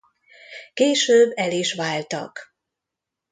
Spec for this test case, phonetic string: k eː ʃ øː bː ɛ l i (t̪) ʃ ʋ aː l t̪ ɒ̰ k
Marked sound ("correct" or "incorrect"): incorrect